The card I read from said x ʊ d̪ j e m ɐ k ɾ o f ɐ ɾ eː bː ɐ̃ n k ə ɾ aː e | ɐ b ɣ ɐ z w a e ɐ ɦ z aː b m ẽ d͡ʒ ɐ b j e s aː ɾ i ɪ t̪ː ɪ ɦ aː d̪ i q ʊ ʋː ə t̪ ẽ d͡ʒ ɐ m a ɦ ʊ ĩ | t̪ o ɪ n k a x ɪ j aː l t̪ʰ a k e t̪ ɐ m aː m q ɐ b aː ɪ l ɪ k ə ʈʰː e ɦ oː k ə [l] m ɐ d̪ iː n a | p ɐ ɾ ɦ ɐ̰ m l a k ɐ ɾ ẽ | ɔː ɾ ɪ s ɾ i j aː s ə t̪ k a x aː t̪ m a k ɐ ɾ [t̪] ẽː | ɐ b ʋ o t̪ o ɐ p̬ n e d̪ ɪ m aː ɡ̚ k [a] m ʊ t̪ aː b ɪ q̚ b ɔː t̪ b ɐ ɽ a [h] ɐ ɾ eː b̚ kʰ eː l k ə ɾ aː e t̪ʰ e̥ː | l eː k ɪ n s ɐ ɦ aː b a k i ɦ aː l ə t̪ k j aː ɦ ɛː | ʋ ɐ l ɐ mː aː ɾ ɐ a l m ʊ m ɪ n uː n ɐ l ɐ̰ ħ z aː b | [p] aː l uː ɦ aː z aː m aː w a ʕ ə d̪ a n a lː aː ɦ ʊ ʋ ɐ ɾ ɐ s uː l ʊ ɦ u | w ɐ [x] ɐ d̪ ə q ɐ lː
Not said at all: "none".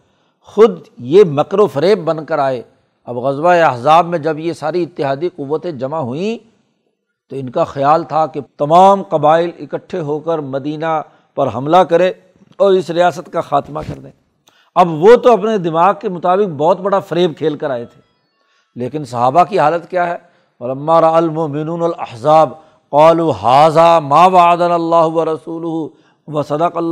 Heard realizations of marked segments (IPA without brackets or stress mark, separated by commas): ɾ, d̪, e, f, q, s